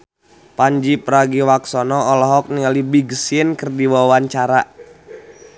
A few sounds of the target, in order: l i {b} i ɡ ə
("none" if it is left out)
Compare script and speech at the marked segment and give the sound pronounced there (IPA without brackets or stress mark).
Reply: b